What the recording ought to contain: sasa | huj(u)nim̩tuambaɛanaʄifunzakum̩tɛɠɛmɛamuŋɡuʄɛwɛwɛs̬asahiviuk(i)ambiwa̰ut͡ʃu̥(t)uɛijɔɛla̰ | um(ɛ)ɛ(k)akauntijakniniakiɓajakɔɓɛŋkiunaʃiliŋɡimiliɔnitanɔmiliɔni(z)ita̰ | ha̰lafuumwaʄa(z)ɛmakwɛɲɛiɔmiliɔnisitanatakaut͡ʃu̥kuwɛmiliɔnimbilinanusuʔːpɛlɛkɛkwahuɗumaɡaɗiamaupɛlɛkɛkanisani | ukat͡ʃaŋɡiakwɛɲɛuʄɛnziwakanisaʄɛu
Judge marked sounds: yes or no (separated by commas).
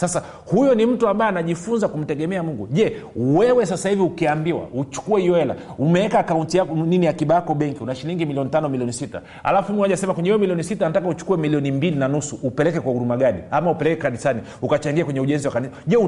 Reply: no, yes, no, yes, yes, no, no